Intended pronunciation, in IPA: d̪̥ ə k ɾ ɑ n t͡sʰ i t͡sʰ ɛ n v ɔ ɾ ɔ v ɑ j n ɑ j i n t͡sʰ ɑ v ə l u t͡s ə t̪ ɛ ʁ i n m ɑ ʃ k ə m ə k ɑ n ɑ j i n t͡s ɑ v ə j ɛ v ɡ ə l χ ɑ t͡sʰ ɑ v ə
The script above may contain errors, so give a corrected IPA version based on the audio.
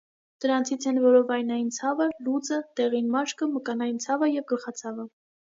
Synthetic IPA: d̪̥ ə ɾ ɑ n t͡sʰ i t͡sʰ ɛ n v ɔ ɾ ɔ v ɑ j n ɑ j i n t͡sʰ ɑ v ə l u t͡s ə t̪ ɛ ʁ i n m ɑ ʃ k ə m ə k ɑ n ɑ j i n t͡sʰ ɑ v ə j ɛ v ɡ ə l χ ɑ t͡sʰ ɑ v ə